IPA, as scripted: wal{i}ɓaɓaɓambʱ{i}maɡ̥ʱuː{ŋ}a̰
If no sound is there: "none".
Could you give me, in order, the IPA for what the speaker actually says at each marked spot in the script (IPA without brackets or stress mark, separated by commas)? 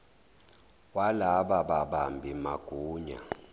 a, i, ɲ